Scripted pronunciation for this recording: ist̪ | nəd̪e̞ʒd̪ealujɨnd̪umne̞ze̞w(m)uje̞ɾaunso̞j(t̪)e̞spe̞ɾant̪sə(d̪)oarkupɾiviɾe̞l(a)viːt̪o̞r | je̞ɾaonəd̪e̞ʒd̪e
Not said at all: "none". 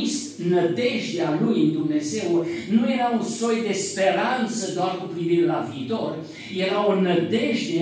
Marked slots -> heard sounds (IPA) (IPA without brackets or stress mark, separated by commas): n, d̪, d̪, a